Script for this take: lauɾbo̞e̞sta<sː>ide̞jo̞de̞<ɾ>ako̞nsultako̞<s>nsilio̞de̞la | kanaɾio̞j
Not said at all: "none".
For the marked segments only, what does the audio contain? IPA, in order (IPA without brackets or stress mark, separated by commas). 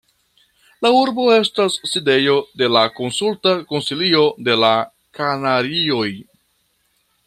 sː, l, none